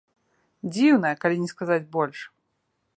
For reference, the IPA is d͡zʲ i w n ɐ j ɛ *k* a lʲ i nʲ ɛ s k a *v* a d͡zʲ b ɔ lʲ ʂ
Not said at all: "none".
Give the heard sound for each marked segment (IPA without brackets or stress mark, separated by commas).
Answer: k, z